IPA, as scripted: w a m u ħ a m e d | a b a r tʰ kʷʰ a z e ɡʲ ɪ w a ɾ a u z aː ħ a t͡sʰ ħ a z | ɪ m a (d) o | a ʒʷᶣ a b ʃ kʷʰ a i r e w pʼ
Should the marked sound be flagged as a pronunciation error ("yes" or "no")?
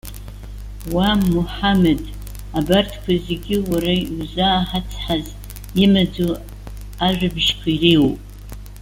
yes